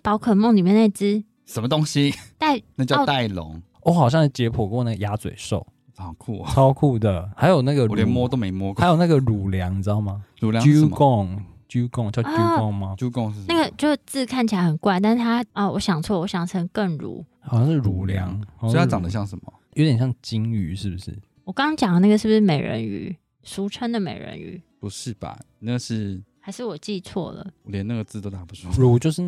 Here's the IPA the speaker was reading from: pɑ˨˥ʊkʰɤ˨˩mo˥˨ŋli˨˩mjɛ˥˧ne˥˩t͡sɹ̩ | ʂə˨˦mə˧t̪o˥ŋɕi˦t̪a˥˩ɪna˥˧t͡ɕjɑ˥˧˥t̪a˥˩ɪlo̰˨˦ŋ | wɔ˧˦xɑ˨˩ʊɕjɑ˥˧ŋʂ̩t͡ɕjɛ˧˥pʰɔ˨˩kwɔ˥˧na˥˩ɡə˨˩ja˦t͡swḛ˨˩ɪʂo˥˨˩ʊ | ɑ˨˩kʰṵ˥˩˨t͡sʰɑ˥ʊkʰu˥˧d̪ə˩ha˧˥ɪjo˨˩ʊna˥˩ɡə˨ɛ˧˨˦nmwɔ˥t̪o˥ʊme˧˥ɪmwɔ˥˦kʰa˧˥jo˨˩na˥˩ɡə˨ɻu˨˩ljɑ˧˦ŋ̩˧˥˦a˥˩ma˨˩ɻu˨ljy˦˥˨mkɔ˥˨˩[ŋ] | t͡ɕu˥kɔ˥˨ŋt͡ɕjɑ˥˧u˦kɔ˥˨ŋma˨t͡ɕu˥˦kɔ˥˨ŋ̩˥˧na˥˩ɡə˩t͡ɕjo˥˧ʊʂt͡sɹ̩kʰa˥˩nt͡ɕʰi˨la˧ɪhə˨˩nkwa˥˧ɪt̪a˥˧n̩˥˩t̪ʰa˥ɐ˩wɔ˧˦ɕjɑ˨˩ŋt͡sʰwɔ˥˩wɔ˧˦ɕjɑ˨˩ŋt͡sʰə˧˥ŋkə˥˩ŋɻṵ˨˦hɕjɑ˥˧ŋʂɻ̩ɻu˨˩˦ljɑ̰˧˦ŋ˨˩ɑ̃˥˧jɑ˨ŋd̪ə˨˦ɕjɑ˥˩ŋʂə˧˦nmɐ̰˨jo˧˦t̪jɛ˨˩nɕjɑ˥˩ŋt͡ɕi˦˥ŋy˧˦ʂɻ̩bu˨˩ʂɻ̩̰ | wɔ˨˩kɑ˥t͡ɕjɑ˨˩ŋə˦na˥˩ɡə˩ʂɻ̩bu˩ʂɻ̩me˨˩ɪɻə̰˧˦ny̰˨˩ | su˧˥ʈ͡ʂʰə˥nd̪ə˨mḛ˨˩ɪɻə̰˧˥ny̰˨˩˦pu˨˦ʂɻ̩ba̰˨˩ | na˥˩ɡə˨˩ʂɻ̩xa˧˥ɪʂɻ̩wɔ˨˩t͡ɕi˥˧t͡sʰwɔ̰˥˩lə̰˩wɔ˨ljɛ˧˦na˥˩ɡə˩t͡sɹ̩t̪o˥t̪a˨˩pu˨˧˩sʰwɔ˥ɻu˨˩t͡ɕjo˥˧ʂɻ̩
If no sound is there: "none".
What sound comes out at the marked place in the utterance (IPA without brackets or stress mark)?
ŋ